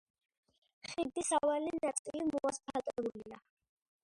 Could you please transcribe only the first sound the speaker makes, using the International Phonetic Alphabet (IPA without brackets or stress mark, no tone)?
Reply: χ